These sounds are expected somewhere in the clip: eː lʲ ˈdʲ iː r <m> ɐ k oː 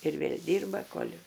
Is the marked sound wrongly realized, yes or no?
yes